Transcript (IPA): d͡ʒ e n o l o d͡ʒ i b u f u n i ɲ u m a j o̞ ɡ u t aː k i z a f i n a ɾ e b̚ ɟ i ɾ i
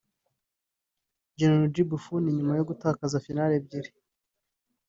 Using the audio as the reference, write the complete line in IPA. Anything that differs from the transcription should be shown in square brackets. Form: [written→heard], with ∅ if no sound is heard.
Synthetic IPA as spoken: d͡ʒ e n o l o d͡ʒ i b u f u n i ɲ u m a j o̞ ɡ u t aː k [i→a] z a f i n a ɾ e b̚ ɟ i ɾ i